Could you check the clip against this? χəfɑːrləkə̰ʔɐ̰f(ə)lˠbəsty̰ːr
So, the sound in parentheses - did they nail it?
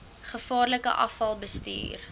no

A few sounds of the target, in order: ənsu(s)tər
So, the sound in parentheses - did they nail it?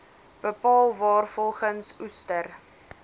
yes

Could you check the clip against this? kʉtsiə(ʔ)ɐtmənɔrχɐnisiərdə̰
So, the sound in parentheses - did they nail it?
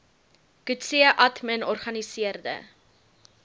yes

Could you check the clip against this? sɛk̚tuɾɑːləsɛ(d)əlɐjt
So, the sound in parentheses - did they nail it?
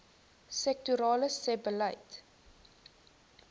no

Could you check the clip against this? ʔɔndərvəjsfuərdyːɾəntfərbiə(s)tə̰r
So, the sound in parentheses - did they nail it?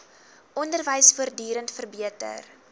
no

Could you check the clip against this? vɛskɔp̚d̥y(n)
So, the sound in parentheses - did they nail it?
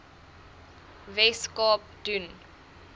yes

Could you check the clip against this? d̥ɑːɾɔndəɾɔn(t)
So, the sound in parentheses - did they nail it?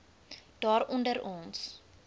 no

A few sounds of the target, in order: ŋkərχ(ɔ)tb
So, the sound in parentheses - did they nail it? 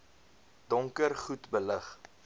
no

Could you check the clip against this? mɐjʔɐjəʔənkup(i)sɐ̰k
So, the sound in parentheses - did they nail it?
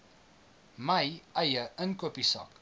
yes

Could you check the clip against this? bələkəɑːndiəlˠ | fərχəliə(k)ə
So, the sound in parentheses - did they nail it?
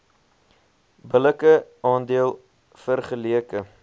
yes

